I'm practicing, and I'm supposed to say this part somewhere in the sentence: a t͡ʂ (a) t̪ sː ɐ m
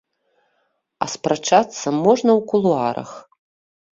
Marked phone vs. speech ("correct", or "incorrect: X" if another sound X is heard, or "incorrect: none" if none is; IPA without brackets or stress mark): correct